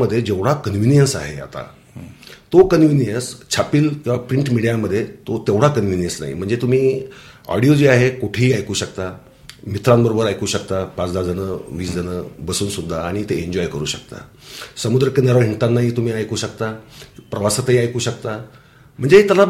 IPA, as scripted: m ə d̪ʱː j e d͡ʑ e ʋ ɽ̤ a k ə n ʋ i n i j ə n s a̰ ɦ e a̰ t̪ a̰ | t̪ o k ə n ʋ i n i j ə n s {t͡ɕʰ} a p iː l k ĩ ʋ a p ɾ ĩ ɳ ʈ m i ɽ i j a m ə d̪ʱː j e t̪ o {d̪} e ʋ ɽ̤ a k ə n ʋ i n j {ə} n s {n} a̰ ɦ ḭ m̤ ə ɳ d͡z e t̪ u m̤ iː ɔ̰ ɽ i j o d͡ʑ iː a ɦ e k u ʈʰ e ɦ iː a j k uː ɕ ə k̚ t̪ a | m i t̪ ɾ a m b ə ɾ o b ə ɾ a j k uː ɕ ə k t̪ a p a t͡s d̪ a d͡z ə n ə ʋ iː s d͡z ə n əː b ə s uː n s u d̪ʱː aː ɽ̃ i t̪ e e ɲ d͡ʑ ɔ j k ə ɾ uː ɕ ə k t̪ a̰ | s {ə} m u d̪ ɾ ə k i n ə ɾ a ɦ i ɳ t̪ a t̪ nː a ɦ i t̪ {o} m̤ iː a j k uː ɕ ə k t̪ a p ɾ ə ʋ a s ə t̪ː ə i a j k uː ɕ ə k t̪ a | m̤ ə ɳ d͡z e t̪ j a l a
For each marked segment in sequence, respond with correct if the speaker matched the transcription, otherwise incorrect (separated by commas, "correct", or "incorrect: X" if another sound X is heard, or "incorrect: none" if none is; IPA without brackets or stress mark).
correct, incorrect: t̪, correct, correct, correct, incorrect: u